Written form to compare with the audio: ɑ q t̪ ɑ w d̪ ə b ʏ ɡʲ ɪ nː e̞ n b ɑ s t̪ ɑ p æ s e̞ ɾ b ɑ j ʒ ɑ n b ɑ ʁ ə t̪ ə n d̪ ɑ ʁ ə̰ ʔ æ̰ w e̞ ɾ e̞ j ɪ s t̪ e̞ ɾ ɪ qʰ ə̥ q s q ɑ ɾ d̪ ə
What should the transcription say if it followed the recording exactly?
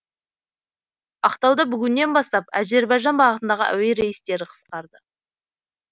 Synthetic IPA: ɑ q t̪ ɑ w d̪ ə b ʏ ɡʲ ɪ nː e̞ n b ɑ s t̪ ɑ p æ z e̞ ɾ b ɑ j ʒ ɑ n b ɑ ʁ ə t̪ ə n d̪ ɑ ʁ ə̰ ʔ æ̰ w e̞ ɾ e̞ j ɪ s t̪ e̞ ɾ ɪ qʰ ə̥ s q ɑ ɾ d̪ ə